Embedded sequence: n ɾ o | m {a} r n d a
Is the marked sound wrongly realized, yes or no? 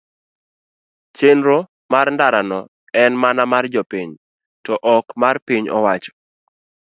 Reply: no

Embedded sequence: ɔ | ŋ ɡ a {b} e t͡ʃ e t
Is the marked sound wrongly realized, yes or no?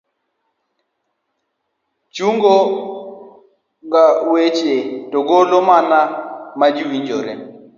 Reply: yes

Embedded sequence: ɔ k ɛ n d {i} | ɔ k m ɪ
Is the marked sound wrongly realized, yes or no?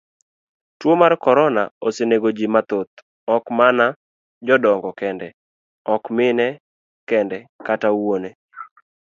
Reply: yes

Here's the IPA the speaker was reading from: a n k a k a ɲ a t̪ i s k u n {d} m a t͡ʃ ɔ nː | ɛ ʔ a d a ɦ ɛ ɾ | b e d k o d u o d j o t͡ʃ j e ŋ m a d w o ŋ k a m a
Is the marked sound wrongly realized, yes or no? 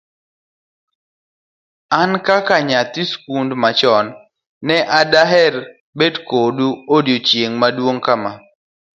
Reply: no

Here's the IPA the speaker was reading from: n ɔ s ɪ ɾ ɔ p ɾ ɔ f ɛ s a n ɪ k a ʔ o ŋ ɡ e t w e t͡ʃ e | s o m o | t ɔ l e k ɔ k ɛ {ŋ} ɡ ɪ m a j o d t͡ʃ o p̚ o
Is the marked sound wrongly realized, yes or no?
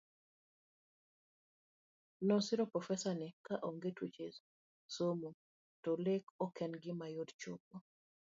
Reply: yes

